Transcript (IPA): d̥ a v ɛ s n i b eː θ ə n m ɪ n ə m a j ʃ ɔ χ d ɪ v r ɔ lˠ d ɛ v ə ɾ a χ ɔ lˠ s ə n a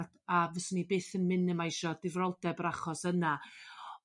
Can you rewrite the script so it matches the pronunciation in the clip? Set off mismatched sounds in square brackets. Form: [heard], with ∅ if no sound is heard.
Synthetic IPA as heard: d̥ a v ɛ s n i b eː θ ə n m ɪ n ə m a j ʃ ɔ [∅] d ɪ v r ɔ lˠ d ɛ [b] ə ɾ a χ ɔ [∅] s ə n a